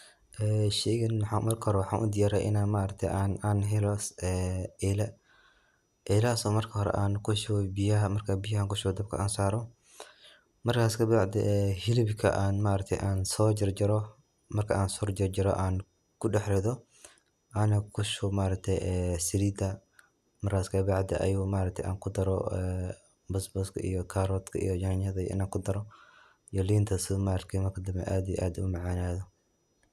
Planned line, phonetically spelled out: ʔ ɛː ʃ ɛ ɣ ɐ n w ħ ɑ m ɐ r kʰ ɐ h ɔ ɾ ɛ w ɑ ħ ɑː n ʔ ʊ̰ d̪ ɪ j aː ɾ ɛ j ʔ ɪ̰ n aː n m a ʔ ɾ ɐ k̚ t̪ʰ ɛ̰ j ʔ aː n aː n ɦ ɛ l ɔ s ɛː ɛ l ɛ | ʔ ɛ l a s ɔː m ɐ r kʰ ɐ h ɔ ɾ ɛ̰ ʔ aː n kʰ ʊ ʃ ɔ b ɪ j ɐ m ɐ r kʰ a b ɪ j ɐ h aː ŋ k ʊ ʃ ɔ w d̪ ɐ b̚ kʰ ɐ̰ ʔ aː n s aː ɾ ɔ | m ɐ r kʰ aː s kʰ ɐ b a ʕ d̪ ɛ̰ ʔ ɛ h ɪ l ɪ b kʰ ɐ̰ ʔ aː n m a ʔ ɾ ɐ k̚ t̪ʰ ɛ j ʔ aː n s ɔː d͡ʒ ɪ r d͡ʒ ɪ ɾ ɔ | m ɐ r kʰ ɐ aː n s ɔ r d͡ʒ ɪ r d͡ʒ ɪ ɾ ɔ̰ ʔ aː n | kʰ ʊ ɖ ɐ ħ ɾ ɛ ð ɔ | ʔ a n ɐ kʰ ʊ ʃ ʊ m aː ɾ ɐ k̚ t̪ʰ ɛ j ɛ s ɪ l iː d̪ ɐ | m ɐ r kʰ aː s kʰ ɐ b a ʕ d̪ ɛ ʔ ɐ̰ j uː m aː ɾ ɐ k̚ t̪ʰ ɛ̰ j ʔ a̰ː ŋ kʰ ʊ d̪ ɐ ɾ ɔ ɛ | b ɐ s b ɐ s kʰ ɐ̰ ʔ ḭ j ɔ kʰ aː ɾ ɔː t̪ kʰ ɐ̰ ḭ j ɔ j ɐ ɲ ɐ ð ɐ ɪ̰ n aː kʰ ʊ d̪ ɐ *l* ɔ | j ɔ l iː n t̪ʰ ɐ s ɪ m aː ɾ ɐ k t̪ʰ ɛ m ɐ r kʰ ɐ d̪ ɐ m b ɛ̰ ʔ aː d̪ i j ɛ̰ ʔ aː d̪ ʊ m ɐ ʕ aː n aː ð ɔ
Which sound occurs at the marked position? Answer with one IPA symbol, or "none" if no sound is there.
ɾ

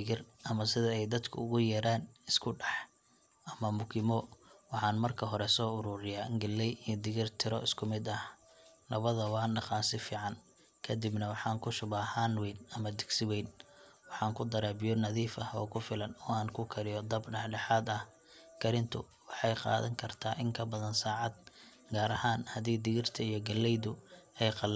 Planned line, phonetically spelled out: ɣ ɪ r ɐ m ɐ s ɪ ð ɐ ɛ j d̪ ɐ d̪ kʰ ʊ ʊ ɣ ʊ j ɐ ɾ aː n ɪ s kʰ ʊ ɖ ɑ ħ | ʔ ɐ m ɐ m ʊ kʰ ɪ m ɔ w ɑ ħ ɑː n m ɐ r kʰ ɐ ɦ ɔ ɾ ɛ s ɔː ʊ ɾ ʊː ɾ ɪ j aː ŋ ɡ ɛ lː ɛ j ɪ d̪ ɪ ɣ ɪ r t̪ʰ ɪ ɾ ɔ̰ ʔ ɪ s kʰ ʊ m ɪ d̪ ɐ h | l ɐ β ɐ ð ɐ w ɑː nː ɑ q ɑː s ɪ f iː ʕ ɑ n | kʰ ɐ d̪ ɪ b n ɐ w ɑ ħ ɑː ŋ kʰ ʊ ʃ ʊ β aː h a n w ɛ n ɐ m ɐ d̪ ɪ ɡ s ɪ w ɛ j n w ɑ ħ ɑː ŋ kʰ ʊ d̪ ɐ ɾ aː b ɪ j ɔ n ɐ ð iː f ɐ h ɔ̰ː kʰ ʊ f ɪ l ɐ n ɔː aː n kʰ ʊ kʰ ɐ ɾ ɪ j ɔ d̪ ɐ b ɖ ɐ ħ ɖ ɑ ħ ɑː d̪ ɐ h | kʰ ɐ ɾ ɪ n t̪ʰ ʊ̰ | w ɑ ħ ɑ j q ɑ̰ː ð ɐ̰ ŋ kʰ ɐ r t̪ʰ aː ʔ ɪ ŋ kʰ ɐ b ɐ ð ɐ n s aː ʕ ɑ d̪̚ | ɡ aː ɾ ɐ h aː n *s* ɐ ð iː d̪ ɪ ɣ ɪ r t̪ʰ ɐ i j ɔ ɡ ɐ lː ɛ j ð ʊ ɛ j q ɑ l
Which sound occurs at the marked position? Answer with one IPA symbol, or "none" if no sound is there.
h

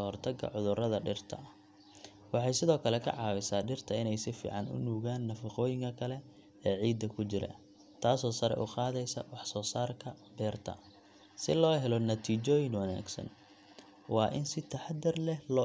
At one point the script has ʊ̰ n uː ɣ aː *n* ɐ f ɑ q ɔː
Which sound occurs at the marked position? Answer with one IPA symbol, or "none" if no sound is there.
nː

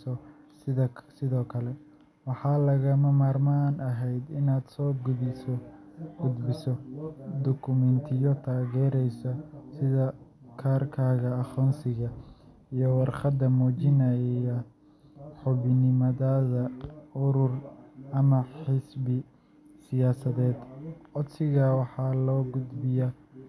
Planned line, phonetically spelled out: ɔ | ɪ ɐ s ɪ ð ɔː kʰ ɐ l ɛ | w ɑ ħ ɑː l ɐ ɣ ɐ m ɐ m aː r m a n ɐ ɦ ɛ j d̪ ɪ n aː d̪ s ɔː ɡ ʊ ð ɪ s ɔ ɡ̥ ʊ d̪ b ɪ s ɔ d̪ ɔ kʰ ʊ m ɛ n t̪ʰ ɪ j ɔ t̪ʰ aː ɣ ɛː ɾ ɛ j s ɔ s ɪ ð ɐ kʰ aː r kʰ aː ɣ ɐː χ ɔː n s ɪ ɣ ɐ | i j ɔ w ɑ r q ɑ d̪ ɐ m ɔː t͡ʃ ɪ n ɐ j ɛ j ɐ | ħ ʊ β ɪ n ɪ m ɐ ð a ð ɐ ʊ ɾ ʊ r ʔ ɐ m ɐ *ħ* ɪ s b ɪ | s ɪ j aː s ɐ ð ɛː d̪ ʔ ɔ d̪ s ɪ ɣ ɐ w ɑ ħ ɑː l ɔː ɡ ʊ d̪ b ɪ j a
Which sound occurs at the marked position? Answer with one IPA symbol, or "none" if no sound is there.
ħ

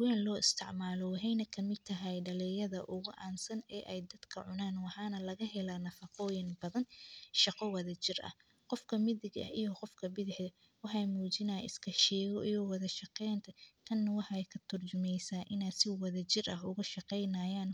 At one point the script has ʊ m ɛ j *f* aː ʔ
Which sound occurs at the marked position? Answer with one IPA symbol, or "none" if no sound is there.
s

